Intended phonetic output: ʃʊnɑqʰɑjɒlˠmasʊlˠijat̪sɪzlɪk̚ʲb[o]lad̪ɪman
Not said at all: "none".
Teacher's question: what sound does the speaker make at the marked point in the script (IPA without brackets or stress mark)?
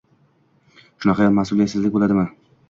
o